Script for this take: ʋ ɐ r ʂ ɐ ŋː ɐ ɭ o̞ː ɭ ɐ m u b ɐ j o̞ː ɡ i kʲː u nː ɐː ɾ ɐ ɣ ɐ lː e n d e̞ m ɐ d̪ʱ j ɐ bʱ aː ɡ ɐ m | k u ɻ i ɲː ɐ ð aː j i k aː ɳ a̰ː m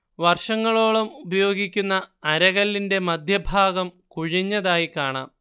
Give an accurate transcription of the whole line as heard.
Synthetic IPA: ʋ ɐ r ʂ ɐ ŋː ɐ ɭ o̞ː ɭ ɐ m u b ɐ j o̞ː ɡ i kʲː u nː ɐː ɾ ɐ ɣ ɐ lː i n d e̞ m ɐ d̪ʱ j ɐ bʱ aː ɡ ɐ m | k u ɻ i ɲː ɐ ð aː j i k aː ɳ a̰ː m